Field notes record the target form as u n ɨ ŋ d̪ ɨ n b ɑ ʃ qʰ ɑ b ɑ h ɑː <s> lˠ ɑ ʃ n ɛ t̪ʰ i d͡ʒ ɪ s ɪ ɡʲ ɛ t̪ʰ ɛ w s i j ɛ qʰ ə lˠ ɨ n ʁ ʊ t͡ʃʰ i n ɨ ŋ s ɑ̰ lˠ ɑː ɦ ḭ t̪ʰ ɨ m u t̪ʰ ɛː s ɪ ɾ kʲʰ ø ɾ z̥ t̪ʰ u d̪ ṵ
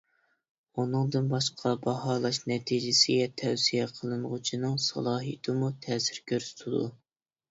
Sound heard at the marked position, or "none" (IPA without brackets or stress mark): none